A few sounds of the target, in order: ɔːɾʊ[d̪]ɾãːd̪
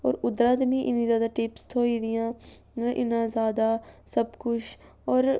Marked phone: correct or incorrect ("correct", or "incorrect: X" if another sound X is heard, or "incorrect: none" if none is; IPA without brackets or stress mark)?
correct